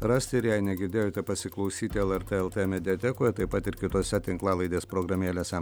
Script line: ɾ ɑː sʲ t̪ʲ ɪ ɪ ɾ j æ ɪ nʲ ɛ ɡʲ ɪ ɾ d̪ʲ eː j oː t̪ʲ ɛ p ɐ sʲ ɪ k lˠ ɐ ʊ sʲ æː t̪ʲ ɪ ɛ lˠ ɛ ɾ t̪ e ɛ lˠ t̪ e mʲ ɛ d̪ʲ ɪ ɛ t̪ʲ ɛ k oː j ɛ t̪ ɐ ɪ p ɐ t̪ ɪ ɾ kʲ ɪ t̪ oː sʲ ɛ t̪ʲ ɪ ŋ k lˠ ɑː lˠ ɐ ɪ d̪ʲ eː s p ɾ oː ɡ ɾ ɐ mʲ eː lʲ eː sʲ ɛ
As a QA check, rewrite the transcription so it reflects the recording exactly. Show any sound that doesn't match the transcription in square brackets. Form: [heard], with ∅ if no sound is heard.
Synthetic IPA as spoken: ɾ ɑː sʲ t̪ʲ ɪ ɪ ɾ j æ ɪ nʲ ɛ ɡʲ ɪ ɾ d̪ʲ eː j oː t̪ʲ ɛ p ɐ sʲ ɪ k lˠ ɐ ʊ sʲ [iː] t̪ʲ ɪ ɛ lˠ ɛ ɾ t̪ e ɛ lˠ t̪ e mʲ ɛ d̪ʲ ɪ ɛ t̪ʲ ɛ k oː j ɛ t̪ ɐ ɪ p ɐ t̪ ɪ ɾ kʲ ɪ t̪ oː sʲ ɛ t̪ʲ ɪ ŋ k lˠ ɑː lˠ ɐ ɪ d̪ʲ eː s p ɾ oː ɡ ɾ ɐ mʲ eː lʲ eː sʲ ɛ